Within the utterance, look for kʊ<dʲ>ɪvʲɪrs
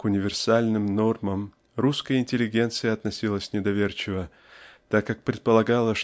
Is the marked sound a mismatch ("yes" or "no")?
yes